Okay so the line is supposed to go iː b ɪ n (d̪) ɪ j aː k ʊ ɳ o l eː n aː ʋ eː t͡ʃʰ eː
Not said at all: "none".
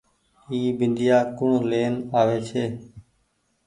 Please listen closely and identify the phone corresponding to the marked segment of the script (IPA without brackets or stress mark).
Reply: d̪